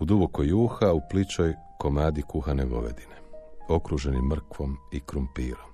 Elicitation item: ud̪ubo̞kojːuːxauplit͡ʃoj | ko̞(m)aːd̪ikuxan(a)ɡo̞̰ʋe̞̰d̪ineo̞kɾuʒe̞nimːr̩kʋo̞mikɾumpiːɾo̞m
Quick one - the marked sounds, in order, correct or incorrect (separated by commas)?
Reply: correct, incorrect